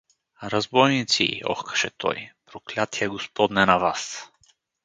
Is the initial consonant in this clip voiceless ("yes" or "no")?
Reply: no